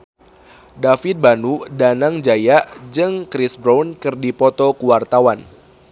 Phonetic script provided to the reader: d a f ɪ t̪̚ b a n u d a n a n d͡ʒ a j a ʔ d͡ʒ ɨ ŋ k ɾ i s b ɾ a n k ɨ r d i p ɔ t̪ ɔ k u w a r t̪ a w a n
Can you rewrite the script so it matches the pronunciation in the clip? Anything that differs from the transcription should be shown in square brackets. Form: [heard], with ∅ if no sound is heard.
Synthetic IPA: d a f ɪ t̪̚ b a n u d a n a [ŋ] d͡ʒ a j a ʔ d͡ʒ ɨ ŋ k ɾ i s b ɾ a n k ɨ r d i p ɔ t̪ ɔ k u w a r t̪ a w a n